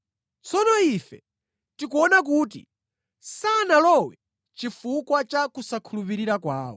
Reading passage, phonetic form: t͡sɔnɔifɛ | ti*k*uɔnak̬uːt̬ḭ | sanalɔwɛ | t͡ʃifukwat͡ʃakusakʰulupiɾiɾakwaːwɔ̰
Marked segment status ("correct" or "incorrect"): correct